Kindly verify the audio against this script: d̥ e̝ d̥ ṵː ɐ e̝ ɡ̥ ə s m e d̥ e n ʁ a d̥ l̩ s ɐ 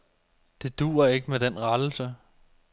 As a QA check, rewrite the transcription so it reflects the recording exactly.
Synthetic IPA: d̥ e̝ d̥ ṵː ɐ e̝ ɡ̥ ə m e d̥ e n ʁ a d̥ l̩ s ə